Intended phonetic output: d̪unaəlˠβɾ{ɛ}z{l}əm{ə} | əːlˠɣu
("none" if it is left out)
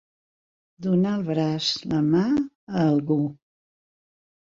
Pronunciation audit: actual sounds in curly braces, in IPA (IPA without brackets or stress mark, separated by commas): a, l, a